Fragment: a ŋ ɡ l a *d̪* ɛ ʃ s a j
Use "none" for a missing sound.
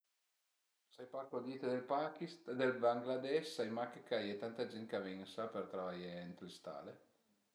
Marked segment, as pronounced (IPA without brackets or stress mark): d̪